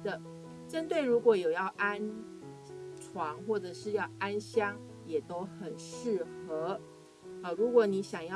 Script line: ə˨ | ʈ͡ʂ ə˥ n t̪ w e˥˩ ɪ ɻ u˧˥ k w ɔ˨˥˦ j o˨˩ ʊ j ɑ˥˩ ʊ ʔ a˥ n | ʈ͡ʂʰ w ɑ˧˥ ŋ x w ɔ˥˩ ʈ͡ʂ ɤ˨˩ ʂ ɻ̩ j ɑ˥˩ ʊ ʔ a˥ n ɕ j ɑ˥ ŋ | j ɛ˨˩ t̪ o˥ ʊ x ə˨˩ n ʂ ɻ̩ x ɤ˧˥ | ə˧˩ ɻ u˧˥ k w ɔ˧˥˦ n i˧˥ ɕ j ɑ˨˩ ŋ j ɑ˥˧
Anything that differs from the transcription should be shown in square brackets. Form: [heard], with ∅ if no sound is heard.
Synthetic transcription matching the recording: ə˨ | ʈ͡ʂ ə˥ n t̪ w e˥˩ ɪ ɻ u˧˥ k w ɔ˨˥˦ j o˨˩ ʊ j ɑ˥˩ ʊ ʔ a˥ n | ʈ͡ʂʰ w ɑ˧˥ ŋ x w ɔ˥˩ ʈ͡ʂ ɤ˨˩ ʂ ɻ̩ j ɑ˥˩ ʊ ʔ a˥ n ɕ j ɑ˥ ŋ | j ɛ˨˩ t̪ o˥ ʊ x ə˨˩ n ʂ ɻ̩ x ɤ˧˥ | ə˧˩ ɻ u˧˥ k w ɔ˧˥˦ n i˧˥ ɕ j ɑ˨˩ ŋ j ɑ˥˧

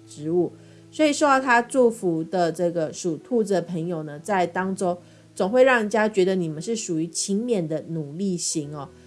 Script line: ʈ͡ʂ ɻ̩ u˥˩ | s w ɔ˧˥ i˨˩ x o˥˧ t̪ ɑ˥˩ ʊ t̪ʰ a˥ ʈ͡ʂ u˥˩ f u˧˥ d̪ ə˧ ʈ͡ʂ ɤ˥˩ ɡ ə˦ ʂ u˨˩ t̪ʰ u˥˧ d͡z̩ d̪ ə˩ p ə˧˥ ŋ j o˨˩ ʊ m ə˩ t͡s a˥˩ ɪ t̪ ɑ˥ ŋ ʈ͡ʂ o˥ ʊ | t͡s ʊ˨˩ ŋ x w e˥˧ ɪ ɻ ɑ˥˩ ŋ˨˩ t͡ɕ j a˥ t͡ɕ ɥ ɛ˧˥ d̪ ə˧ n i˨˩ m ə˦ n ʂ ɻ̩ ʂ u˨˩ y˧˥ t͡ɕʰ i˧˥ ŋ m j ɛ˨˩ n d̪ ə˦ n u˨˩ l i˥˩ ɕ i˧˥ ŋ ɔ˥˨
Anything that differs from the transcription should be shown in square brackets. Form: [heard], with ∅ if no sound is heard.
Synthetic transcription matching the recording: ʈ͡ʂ ɻ̩ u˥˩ | s w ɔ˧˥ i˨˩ [ʂ] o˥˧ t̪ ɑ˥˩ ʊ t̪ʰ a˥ ʈ͡ʂ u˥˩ f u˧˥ d̪ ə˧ ʈ͡ʂ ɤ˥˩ ɡ [ə˩] ʂ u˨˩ t̪ʰ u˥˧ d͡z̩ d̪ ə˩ [pʰ] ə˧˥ ŋ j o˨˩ ʊ [n] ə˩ t͡s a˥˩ ɪ t̪ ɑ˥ ŋ ʈ͡ʂ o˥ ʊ | t͡s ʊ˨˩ ŋ x w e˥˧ ɪ ɻ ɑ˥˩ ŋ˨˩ t͡ɕ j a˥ t͡ɕ ɥ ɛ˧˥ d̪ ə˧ n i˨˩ m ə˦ n ʂ ɻ̩ ʂ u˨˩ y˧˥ t͡ɕʰ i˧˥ ŋ m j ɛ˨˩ n d̪ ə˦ n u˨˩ l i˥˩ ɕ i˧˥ ŋ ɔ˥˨

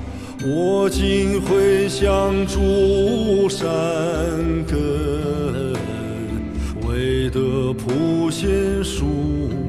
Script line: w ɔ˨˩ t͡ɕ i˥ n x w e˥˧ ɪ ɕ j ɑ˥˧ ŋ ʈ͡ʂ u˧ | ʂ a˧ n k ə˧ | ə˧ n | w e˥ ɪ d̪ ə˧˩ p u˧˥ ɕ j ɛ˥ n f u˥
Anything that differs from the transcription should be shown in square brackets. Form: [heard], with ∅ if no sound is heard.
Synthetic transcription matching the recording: w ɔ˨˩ t͡ɕ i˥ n x w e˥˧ ɪ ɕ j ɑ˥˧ ŋ ʈ͡ʂ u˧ | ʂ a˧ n k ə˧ | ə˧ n | w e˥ ɪ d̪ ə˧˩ [pʰ] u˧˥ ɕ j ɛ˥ n [ʂ] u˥

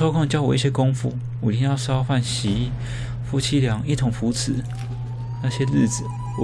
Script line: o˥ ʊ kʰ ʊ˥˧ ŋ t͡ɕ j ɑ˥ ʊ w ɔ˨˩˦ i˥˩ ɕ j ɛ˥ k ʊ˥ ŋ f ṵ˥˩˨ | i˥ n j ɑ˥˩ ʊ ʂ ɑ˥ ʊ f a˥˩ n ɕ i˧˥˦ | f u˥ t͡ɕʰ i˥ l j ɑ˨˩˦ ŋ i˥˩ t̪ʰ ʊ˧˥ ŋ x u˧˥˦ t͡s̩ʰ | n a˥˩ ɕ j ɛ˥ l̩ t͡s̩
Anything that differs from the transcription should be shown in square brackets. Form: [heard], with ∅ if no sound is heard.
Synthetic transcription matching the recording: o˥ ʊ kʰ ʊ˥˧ ŋ t͡ɕ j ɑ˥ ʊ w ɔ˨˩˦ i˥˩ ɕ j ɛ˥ k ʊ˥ ŋ f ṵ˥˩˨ | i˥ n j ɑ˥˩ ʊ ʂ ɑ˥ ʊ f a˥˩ n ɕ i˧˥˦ | f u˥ t͡ɕʰ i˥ l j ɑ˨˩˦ ŋ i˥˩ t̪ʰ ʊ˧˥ ŋ [f] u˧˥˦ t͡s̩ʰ | n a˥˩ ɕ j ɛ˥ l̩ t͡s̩

